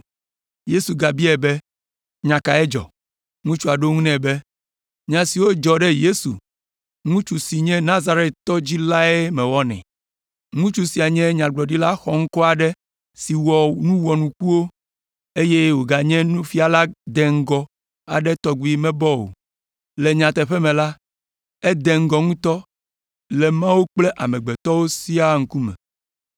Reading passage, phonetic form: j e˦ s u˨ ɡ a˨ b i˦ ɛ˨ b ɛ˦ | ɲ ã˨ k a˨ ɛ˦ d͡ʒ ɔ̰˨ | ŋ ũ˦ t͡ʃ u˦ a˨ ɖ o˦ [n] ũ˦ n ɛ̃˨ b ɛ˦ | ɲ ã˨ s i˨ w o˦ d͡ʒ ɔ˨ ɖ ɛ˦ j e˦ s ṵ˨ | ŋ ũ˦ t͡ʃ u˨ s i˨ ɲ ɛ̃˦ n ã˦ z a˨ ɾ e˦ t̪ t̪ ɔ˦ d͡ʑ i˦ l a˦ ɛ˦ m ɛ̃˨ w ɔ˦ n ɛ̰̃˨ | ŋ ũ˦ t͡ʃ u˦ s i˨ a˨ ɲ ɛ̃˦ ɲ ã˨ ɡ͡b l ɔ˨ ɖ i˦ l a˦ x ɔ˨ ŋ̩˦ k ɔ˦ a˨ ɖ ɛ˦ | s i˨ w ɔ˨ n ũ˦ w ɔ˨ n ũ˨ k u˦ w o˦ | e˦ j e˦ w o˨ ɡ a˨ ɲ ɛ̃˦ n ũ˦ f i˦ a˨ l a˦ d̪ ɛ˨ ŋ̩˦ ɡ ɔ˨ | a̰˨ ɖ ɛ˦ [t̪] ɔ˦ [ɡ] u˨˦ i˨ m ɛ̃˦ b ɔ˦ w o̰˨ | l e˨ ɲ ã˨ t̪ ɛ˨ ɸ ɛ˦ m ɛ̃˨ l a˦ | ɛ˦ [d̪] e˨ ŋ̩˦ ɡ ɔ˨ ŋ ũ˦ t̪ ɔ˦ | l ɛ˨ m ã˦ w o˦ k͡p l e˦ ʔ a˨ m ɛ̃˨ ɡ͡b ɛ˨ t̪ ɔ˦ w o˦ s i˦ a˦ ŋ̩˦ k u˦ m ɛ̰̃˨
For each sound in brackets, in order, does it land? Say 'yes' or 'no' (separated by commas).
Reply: no, yes, yes, yes